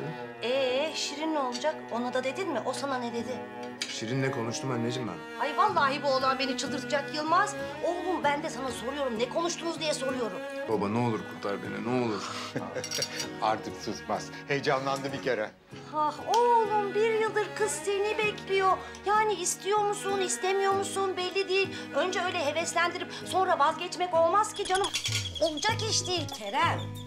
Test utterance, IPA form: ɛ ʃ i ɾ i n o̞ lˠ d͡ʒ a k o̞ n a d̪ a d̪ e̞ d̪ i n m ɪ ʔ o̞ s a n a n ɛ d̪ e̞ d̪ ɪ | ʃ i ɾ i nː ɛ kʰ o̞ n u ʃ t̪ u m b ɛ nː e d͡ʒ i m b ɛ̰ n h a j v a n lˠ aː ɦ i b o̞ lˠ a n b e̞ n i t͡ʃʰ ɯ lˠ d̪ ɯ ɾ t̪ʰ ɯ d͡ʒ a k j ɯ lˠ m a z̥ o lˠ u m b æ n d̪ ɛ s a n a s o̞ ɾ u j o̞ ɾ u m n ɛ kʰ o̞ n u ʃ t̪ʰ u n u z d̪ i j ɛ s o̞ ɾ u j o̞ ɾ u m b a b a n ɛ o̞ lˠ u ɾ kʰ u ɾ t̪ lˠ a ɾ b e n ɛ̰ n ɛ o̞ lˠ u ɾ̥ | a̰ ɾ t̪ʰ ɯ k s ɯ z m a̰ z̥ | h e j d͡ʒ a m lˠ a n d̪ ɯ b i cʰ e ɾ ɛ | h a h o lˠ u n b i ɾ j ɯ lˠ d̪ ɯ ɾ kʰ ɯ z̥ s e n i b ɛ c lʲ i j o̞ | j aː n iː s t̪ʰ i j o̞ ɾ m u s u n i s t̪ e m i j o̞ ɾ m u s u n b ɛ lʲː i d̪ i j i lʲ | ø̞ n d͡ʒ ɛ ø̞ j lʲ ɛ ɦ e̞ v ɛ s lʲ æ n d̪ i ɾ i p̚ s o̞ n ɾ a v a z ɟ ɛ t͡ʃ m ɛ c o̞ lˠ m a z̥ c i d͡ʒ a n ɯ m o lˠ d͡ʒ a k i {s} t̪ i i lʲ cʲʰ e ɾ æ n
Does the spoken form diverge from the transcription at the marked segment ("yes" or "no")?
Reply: yes